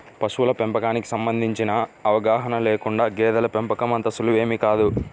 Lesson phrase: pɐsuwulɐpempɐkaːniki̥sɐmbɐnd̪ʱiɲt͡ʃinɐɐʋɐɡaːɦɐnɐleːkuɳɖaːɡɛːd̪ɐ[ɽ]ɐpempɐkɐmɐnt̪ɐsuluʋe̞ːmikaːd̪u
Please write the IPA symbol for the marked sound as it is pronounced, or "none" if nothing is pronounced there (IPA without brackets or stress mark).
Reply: l